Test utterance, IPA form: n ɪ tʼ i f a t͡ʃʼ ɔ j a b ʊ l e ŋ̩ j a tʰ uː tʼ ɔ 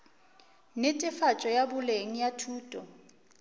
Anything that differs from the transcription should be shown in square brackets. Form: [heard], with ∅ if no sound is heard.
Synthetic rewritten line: n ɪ tʼ [ɪ] f a t͡ʃʼ ɔ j a b ʊ l e ŋ̩ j a tʰ uː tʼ ɔ

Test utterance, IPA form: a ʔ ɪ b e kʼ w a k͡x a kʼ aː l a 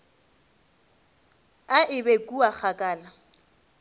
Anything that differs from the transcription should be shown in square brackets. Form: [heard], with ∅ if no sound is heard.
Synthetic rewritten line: a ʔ ɪ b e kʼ [u] a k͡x a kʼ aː l a

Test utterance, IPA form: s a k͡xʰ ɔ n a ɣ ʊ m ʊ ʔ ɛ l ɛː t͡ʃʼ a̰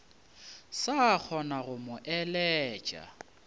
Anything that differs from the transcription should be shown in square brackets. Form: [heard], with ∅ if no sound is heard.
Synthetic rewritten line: s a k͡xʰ ɔ n a ɣ ʊ m ʊ ʔ ɛ l ɛː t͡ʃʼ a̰

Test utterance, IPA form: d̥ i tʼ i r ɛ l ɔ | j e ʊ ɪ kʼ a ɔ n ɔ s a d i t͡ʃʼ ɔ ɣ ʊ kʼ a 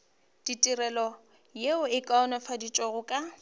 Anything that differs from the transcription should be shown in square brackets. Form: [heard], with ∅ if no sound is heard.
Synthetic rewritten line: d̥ i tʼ i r ɛ l ɔ | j e ʊ ɪ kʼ a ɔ n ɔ [f] a d i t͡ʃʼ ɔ ɣ ʊ kʼ a

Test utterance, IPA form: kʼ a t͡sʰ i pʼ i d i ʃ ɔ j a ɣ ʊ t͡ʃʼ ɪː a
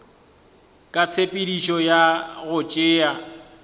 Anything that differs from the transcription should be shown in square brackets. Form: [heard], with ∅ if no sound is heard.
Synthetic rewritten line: kʼ a t͡sʰ [e] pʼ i d i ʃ ɔ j a ɣ ʊ t͡ʃʼ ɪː a

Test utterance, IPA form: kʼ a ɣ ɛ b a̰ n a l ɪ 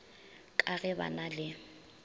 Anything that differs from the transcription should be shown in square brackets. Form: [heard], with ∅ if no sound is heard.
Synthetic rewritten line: kʼ a ɣ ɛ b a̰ n a l ɪ

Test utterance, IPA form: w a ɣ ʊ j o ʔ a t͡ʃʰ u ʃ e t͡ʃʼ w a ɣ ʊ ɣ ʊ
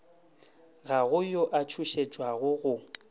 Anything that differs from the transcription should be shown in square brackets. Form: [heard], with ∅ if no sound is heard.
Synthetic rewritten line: [ɣ] a ɣ ʊ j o ʔ a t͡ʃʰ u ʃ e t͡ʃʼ w a ɣ ʊ ɣ ʊ

